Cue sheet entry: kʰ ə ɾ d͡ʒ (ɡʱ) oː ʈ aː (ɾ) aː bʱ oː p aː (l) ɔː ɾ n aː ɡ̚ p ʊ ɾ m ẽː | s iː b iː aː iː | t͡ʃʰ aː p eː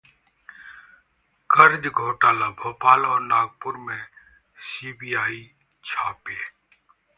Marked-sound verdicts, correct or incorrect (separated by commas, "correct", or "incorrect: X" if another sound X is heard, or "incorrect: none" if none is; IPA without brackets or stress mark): correct, incorrect: l, correct